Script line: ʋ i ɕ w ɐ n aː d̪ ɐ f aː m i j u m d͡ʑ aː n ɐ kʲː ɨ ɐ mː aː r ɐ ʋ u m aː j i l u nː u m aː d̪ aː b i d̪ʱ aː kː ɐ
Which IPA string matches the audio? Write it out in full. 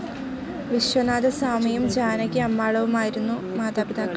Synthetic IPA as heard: ʋ i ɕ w ɐ n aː d̪ ɐ s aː m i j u m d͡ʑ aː n ɐ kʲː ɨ ɐ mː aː ɭ ɐ ʋ u m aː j i ɾ u nː u m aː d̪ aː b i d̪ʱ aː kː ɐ